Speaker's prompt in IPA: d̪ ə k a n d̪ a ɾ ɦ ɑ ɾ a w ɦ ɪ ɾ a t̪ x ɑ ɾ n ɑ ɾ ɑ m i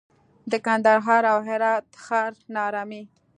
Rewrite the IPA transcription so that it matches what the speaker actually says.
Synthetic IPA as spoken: d̪ ə k a n d̪ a ɾ ɦ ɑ ɾ a w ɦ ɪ ɾ ɑ t̪ x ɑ ɾ n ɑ ɾ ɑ m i